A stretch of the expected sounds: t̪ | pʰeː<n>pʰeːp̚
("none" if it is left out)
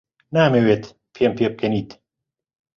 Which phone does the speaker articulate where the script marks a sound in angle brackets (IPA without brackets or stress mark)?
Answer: m